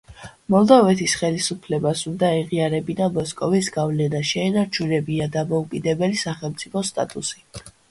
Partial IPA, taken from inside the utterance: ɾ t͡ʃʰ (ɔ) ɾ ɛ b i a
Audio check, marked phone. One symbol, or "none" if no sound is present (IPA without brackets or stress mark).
u